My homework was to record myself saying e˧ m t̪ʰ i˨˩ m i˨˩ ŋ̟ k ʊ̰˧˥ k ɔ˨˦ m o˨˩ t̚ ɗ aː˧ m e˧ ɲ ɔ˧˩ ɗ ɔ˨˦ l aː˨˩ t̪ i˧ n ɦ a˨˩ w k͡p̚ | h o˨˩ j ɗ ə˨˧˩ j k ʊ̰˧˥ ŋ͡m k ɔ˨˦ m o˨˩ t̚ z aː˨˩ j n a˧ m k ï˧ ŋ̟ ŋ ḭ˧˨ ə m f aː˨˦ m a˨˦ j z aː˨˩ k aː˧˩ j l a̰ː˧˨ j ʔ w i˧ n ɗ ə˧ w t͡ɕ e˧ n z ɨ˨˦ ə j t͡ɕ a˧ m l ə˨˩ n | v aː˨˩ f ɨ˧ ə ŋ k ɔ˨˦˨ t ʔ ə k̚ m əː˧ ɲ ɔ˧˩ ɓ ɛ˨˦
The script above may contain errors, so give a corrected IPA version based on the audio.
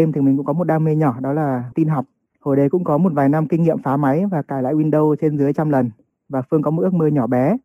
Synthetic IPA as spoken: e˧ m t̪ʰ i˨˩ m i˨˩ ŋ̟ k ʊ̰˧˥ k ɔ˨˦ m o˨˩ t̚ ɗ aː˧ m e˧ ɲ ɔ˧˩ ɗ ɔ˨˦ l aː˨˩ t̪ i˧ n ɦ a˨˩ w k͡p̚ | h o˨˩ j ɗ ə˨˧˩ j k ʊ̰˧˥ ŋ͡m k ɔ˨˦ m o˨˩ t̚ v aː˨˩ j n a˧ m k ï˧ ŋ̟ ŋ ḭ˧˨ ə m f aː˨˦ m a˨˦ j v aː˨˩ k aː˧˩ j l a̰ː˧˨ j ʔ w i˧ n ɗ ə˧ w t͡ɕ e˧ n z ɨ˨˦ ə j t͡ɕ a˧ m l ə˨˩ n | v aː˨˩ f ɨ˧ ə ŋ k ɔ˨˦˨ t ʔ ə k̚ m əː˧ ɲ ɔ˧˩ ɓ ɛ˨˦